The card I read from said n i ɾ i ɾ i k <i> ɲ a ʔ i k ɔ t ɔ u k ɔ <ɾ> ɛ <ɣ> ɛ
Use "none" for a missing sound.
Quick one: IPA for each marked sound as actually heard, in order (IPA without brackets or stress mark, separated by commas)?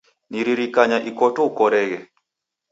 a, ɾ, ɣ